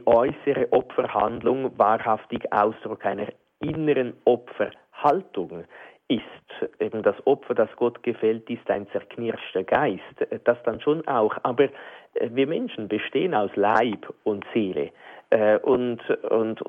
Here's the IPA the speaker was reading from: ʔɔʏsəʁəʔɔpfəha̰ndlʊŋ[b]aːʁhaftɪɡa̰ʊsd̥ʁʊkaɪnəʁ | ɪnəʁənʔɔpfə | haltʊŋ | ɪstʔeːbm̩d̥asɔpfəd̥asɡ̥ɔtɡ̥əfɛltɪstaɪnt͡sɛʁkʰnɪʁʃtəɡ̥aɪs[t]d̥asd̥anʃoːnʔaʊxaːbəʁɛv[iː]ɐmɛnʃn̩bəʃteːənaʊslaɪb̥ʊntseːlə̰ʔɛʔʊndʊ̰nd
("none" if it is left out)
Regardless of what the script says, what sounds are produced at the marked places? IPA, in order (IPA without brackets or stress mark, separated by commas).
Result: v, t, iː